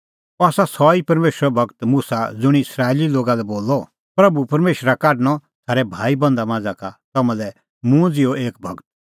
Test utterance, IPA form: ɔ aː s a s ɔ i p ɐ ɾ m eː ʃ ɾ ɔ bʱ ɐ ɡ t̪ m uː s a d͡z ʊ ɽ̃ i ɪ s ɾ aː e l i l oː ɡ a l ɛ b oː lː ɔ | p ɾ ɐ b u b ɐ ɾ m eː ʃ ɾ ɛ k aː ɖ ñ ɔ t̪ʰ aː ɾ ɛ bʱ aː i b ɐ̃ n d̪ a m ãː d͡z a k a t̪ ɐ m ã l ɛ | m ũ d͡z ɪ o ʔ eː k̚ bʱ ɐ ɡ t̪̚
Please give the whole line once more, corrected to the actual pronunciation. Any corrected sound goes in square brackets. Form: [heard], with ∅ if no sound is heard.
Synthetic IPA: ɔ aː s a s ɔ i p ɐ ɾ m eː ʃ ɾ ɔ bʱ ɐ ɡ t̪ m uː s a d͡z ʊ ɽ̃ i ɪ s ɾ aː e l i l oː ɡ a l ɛ b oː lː ɔ | p ɾ ɐ b u [p] ɐ ɾ m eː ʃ ɾ [a] k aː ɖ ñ ɔ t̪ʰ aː ɾ ɛ bʱ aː i b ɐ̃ n d̪ a m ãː d͡z a k a t̪ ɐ m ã l ɛ | m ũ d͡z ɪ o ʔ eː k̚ bʱ ɐ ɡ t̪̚